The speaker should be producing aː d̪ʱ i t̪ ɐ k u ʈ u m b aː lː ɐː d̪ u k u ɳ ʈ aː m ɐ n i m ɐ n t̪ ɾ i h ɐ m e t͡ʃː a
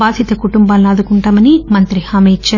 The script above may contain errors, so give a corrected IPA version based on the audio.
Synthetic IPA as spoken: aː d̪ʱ i t̪ ɐ k u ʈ u m b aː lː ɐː d̪ u k u ɳ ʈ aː m ɐ n i m ɐ n t̪ ɾ i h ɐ m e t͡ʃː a

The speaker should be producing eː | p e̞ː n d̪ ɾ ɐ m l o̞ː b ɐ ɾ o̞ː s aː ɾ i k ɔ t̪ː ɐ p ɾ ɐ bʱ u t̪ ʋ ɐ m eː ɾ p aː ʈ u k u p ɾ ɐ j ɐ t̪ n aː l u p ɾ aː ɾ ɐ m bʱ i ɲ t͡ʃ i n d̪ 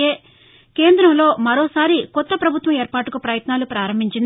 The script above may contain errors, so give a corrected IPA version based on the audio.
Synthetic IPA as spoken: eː | k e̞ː n d̪ ɾ ɐ m l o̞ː m ɐ ɾ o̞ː s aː ɾ i k ɔ t̪ː ɐ p ɾ ɐ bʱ u t̪ ʋ ɐ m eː ɾ p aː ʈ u k u p ɾ ɐ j ɐ t̪ n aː l u p ɾ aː ɾ ɐ m bʱ i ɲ t͡ʃ i n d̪

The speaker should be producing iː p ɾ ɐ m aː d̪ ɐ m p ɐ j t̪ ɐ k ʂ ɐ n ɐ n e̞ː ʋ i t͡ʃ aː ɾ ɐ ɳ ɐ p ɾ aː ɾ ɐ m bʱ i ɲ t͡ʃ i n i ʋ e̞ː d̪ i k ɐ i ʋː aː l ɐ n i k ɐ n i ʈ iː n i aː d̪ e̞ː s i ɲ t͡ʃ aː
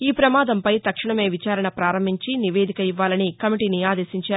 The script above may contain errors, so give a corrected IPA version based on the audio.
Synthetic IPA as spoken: iː p ɾ ɐ m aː d̪ ɐ m p ɐ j t̪ ɐ k ʂ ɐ ɳ ɐ m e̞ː ʋ i t͡ʃ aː ɾ ɐ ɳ ɐ p ɾ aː ɾ ɐ m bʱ i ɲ t͡ʃ i n i ʋ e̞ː d̪ i k ɐ i ʋː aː l ɐ n i k ɐ m i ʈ iː n i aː d̪ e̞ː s i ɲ t͡ʃ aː

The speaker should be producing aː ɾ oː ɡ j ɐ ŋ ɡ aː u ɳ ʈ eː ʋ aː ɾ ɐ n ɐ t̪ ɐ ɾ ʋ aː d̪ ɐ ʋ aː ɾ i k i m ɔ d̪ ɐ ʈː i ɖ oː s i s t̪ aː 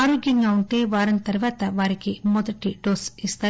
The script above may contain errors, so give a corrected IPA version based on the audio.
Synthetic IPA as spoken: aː ɾ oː ɡ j ɐ ŋ ɡ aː u ɳ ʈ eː ʋ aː ɾ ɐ n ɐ t̪ ɐ ɾ ʋ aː t̪ ɐ ʋ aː ɾ i k i m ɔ d̪ ɐ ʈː i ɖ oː s i s t̪ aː

